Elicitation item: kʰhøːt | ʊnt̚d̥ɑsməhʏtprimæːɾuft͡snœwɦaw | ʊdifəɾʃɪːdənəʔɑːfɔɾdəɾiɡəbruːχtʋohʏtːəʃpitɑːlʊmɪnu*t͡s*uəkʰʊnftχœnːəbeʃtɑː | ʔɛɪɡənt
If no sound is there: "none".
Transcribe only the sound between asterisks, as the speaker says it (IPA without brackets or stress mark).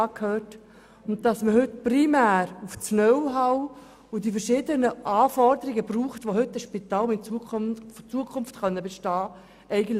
t͡s